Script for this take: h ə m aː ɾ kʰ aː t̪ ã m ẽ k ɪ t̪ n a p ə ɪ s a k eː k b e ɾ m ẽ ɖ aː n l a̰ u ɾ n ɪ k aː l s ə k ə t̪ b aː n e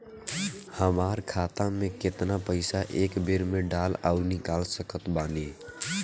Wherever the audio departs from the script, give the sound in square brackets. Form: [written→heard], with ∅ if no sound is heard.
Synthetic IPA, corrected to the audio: h ə m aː ɾ kʰ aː t̪ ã m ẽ k ɪ t̪ n a p ə ɪ s a [k→ʔ] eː k b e ɾ m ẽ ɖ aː [n→∅] l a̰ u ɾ n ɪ k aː l s ə k ə t̪ b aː n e